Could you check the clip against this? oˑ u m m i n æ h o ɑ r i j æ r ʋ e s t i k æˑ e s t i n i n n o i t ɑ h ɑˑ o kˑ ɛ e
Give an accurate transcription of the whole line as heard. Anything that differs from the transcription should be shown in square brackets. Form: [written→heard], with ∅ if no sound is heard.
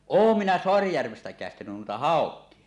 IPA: oˑ u m m i n æ [h→s] o ɑ r i j æ r ʋ e s t [i→æ] k æˑ e s t [i→æ] n [i→y] n n [o→u] i t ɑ h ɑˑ o kˑ [ɛ→i] e